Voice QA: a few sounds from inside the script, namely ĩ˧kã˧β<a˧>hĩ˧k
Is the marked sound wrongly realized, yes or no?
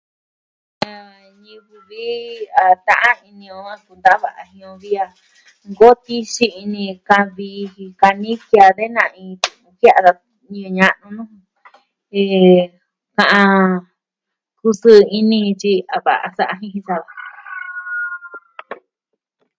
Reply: yes